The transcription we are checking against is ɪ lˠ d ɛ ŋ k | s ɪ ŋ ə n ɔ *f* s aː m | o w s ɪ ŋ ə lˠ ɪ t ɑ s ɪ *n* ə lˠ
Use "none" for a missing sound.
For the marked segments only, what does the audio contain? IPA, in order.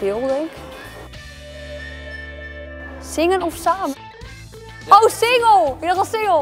f, ŋ

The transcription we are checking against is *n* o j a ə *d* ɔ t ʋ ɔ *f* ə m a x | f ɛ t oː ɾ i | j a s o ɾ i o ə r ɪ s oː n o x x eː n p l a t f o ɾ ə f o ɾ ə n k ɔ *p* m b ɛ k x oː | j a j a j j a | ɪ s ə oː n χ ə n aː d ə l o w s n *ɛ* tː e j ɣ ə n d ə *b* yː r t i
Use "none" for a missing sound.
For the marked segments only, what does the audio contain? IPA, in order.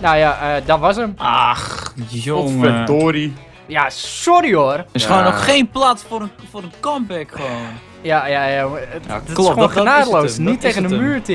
n, d, s, none, i, m

